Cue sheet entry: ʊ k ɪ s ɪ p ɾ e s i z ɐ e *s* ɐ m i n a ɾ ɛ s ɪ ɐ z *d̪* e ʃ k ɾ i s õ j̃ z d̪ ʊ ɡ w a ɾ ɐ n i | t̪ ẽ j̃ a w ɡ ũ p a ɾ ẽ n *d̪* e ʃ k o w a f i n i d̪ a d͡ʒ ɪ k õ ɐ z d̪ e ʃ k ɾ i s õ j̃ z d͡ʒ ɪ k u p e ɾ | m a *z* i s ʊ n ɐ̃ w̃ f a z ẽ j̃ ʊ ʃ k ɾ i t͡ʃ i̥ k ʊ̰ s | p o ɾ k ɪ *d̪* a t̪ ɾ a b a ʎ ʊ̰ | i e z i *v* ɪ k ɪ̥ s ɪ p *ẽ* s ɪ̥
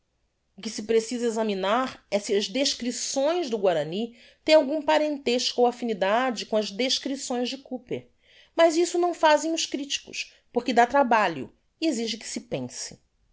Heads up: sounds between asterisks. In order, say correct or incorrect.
incorrect, correct, incorrect, correct, correct, incorrect, correct

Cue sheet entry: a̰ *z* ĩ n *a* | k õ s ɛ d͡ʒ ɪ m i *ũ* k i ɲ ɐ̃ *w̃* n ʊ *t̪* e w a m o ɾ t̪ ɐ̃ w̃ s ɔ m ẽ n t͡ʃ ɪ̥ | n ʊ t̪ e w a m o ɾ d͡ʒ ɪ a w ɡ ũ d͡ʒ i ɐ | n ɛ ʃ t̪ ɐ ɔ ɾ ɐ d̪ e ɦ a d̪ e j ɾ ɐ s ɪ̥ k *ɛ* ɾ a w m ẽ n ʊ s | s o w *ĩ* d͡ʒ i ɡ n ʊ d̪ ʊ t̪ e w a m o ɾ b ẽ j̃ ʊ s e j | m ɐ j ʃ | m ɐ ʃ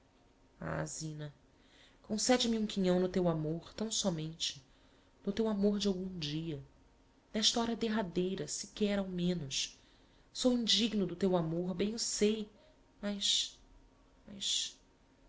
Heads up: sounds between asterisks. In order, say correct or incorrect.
correct, incorrect, correct, correct, correct, correct, correct

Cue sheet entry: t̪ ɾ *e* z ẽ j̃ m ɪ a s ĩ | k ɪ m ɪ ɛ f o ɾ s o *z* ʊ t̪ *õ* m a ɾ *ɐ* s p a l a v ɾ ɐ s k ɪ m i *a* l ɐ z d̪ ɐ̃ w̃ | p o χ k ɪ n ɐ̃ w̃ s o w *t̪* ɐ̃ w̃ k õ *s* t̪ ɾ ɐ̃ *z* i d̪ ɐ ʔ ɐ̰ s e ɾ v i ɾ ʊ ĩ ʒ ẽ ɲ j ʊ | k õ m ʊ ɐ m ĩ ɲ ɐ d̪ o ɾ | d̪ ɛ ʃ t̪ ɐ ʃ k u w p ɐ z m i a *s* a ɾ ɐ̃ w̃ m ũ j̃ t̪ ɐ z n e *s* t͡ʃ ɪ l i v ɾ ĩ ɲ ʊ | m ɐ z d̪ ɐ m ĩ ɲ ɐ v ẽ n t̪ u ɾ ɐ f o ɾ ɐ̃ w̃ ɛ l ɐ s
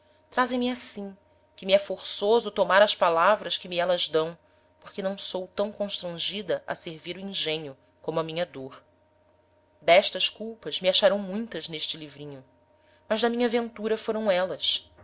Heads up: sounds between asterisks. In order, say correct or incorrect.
incorrect, correct, incorrect, correct, incorrect, correct, incorrect, incorrect, incorrect, incorrect

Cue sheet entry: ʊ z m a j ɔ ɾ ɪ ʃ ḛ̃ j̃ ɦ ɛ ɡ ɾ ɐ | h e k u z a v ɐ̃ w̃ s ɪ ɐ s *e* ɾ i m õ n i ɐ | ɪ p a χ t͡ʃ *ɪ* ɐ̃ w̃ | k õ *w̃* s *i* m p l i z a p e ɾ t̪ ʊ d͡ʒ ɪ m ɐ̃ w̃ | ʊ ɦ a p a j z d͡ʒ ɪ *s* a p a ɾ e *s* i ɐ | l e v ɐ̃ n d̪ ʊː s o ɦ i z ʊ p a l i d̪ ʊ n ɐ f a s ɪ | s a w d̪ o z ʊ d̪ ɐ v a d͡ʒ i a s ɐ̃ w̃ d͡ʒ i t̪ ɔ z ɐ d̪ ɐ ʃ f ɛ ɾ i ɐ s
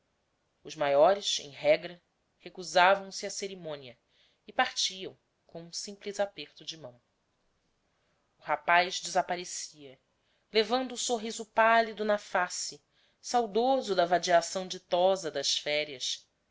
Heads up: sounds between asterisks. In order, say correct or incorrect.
correct, incorrect, incorrect, incorrect, incorrect, correct

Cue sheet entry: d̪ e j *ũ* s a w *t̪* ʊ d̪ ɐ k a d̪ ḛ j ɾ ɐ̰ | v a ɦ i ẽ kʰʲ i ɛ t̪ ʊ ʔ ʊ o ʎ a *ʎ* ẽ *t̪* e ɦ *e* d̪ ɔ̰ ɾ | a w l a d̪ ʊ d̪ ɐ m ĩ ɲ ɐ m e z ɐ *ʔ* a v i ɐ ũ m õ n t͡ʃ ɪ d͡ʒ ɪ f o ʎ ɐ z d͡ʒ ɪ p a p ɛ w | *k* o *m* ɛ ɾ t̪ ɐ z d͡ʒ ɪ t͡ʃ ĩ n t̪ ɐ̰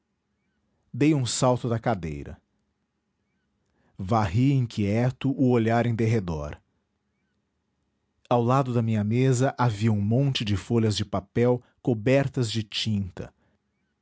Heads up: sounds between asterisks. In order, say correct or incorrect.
correct, correct, incorrect, incorrect, correct, correct, correct, incorrect

